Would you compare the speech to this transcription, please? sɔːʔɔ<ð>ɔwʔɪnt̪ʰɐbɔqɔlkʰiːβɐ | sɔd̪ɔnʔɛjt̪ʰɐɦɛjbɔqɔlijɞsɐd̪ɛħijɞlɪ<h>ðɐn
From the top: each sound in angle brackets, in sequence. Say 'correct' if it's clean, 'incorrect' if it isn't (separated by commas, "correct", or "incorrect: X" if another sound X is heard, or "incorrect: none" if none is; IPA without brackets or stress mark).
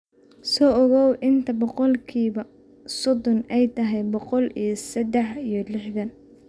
incorrect: ɣ, incorrect: ħ